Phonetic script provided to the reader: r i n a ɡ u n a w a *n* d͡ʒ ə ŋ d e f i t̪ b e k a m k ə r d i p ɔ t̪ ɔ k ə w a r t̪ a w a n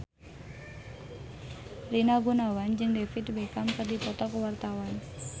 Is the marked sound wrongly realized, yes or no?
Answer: no